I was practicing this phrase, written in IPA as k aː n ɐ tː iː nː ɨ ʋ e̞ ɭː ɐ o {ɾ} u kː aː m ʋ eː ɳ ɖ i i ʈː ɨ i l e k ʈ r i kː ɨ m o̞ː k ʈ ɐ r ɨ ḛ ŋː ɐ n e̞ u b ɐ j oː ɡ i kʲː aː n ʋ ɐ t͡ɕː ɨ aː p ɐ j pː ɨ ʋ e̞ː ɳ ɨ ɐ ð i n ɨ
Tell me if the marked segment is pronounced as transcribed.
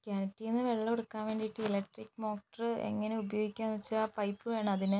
no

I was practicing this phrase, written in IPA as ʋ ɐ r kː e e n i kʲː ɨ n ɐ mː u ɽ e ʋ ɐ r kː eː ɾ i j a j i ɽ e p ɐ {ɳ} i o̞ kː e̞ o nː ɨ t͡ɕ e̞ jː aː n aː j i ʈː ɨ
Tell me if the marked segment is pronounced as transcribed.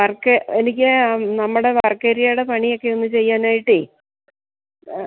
yes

